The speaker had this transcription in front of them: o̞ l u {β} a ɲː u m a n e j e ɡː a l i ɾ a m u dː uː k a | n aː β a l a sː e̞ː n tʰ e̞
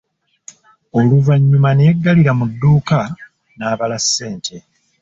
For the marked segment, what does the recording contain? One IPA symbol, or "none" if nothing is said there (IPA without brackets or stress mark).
v